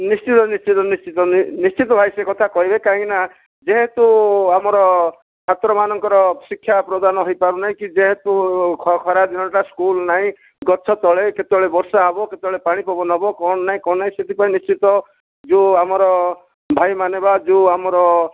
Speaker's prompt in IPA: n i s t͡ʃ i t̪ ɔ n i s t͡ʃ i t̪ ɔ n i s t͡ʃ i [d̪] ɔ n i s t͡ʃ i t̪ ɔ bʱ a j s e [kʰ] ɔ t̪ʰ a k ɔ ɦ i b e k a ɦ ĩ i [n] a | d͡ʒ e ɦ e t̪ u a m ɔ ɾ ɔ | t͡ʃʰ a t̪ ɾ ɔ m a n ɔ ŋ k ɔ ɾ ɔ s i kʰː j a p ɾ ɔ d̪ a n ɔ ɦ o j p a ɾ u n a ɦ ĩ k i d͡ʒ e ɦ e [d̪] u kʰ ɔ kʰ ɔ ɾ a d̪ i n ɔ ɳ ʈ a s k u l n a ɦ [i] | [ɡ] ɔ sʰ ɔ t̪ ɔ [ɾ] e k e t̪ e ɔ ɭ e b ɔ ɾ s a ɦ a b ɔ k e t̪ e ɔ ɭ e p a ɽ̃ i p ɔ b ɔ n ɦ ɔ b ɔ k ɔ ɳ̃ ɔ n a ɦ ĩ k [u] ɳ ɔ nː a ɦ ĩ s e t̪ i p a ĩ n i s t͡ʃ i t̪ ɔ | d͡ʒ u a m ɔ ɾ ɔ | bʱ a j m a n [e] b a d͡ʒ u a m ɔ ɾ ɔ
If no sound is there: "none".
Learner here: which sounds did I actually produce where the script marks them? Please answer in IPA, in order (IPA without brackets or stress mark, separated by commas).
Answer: t̪, k, n, t̪, ĩ, ɡ, ɭ, ɔ, e